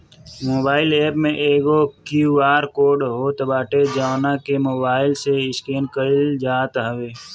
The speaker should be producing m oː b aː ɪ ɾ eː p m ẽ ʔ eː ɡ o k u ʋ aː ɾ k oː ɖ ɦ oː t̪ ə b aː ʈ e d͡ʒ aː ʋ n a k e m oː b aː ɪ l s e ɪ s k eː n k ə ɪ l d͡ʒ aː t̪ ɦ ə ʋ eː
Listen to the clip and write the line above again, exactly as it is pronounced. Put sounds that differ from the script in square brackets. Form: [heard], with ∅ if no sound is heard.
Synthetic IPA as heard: m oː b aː ɪ [l] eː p m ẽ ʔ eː ɡ o k u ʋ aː ɾ k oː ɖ ɦ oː t̪ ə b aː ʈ e d͡ʒ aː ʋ n a k e m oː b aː ɪ l s e ɪ s k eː n k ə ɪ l d͡ʒ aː t̪ ɦ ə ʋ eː